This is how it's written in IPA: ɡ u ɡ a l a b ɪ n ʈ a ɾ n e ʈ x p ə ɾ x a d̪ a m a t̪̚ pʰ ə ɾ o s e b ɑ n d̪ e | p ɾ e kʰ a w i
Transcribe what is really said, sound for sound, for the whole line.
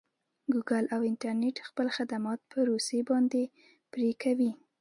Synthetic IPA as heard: ɡ u ɡ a l a w ɪ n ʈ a ɾ n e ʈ x p ə l x a d̪ a m ɑ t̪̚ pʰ ə ɾ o s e b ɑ n d̪ e | p ɾ e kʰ a w i